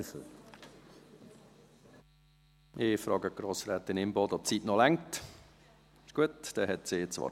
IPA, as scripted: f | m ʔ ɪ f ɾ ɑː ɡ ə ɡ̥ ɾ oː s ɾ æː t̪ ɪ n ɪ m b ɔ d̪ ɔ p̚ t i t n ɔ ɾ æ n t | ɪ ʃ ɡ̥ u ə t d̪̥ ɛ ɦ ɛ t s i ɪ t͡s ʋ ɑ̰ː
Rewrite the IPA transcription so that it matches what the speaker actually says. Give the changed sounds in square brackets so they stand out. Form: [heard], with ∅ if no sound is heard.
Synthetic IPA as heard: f | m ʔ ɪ f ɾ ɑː ɡ ə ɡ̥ ɾ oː s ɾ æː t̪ ɪ n ɪ m b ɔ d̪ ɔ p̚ [t͡s] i t n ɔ [l] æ [ŋ] t | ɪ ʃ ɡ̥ u ə t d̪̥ ɛ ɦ ɛ t s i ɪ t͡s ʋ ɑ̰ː